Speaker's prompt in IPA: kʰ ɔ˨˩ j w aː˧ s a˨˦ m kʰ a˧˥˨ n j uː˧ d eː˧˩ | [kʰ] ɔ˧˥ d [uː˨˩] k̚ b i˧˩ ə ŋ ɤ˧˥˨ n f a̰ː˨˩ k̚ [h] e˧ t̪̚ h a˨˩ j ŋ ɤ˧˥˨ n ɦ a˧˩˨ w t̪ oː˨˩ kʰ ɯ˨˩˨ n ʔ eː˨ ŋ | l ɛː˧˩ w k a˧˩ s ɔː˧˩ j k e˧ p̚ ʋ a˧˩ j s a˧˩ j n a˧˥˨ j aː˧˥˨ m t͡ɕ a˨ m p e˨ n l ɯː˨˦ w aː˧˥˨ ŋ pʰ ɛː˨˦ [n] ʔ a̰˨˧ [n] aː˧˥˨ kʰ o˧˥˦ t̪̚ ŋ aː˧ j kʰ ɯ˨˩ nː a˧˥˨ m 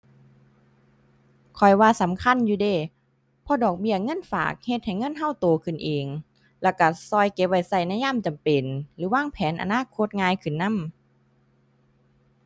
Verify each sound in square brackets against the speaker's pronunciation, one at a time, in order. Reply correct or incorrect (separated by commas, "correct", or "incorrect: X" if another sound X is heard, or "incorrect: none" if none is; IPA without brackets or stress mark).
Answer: incorrect: pʰ, incorrect: ɔː˨˩, correct, correct, correct